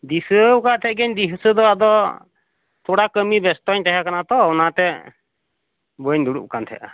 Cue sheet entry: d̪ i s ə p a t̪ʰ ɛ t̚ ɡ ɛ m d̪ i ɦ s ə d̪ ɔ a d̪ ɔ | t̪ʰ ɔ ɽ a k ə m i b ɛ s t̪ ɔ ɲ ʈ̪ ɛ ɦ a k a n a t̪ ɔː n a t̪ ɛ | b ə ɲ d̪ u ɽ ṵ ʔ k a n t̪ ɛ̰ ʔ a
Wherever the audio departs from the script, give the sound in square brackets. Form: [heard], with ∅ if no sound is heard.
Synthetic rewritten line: d̪ i s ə [k] a t̪ʰ ɛ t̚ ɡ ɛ [ɲ] d̪ i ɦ s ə d̪ ɔ a d̪ ɔ | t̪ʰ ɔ ɽ a k ə m i b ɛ s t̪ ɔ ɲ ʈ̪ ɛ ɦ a k a n a t̪ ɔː n a t̪ ɛ | b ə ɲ d̪ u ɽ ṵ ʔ k a n [t̪ʰ] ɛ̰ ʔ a